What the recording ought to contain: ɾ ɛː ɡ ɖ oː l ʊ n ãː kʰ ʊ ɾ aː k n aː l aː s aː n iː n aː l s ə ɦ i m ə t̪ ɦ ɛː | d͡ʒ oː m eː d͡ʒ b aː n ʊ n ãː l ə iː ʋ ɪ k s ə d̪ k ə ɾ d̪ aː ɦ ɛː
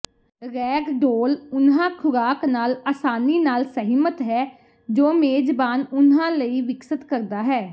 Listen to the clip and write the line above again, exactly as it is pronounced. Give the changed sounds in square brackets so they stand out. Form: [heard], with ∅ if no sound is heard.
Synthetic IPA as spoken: ɾ ɛː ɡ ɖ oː l ʊ n ãː kʰ ʊ ɾ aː k n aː l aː s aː n iː n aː l s ə ɦ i m ə t̪ ɦ ɛː | d͡ʒ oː m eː d͡ʒ b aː n ʊ n ãː l ə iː ʋ ɪ k s ə [t̪] k ə ɾ d̪ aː ɦ ɛː